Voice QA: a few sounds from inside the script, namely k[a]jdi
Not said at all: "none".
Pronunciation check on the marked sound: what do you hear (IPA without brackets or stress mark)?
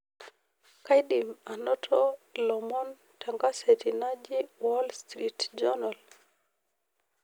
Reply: a